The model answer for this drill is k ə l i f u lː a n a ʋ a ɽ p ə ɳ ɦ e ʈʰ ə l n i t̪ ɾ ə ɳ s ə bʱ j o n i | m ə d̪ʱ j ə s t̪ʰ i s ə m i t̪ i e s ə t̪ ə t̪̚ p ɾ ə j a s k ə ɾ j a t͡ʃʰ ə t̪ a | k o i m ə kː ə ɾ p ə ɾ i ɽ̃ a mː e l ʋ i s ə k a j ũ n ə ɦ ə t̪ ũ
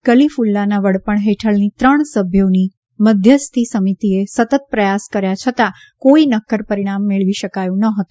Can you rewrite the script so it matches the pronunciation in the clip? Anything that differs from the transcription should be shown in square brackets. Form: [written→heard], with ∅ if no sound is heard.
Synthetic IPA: k ə l i f u lː a n a ʋ [a→ə] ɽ p ə ɳ ɦ e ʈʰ ə [l→ɭ] n i t̪ ɾ ə ɳ s ə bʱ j o n i | m ə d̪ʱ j ə s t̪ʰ i s ə m i t̪ i e s ə t̪ ə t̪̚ p ɾ ə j a s k ə ɾ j a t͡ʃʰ ə t̪ a | k o i [m→n] ə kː ə ɾ p ə ɾ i ɽ̃ a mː e [l→ɭ] ʋ i [s→ʃ] ə k a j ũ n ə ɦ ə t̪ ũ

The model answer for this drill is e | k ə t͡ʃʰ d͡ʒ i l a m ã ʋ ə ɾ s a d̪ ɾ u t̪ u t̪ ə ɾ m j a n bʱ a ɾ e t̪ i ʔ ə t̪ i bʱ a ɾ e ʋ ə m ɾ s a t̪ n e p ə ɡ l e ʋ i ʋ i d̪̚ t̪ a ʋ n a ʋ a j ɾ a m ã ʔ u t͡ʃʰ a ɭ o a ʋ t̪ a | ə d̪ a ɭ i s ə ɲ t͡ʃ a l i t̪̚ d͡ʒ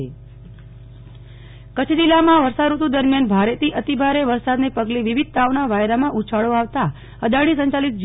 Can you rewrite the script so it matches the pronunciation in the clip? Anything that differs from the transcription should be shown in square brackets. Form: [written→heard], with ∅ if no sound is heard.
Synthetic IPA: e | k ə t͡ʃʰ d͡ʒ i l a m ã ʋ ə ɾ s a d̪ ɾ u t̪ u [t̪→d̪] ə ɾ m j a n bʱ a ɾ e t̪ i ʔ ə t̪ i bʱ a ɾ e ʋ ə [m→∅] ɾ s a [t̪→d̪] n e p ə ɡ l e ʋ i ʋ i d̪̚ t̪ a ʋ n a ʋ a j ɾ a m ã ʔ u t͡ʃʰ a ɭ o a ʋ t̪ a | ə d̪ a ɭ i s ə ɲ t͡ʃ a l i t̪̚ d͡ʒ

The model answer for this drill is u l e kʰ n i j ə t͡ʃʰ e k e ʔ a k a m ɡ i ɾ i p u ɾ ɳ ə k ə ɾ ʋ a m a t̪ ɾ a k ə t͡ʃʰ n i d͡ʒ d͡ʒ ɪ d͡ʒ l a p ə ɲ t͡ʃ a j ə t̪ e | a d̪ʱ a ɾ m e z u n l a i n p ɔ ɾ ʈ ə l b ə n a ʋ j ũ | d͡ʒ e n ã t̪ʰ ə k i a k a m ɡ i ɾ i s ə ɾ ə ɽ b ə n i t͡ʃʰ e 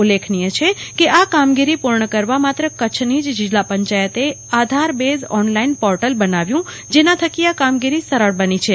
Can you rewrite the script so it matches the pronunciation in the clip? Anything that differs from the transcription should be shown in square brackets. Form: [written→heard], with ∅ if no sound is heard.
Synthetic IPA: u l e kʰ n i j ə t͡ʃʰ e k e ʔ a k a m ɡ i ɾ i p u ɾ ɳ ə k ə ɾ ʋ a m a t̪ ɾ [a→ə] k ə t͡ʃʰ n i d͡ʒ d͡ʒ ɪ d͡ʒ l a p ə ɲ t͡ʃ a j ə t̪ e | a d̪ʱ a ɾ [m→b] e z [u→ɔ] n l a i n p ɔ ɾ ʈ ə l b ə n a ʋ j ũ | d͡ʒ e n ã t̪ʰ ə k i a k a m ɡ i ɾ i s ə ɾ ə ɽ b ə n i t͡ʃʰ e

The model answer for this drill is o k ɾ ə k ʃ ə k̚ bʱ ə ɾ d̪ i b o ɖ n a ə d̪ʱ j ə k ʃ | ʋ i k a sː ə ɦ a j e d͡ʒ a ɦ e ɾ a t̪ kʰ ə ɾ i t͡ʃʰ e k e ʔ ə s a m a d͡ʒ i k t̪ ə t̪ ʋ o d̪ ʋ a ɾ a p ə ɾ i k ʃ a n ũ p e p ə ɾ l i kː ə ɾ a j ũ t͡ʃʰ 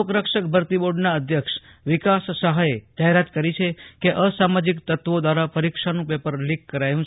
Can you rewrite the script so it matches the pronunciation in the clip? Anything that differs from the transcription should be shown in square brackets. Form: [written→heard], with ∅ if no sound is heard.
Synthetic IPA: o k ɾ ə k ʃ ə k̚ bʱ ə ɾ [d̪→t̪] i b o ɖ n a ə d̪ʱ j ə k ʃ | ʋ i k a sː ə ɦ a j e d͡ʒ a ɦ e ɾ a t̪ [kʰ→k] ə ɾ i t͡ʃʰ e k e ʔ ə s a m a d͡ʒ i k t̪ ə t̪ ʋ o d̪ ʋ a ɾ a p ə ɾ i k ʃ a n ũ p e p ə ɾ l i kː ə ɾ a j ũ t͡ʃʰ

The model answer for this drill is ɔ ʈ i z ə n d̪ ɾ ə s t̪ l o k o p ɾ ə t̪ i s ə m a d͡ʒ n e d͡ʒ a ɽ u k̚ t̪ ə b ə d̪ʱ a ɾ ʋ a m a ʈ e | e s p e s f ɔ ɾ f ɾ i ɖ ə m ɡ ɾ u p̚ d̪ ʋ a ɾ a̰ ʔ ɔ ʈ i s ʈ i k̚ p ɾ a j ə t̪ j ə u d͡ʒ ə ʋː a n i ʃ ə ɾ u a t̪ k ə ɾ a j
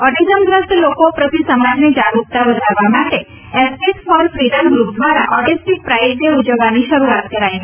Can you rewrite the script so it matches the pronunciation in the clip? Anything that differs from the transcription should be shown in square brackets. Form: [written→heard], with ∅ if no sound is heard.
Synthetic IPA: ɔ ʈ i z ə [n→m] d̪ ɾ ə s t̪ l o k o p ɾ ə t̪ i s ə m a d͡ʒ n e d͡ʒ a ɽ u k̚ t̪ [ə→a] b ə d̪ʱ a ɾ ʋ a m a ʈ e | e s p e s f ɔ ɾ f ɾ i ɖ ə m ɡ ɾ u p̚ d̪ ʋ a ɾ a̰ ʔ ɔ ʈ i s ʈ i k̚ p ɾ a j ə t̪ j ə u d͡ʒ ə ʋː a n i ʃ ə ɾ u a t̪ k ə ɾ a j

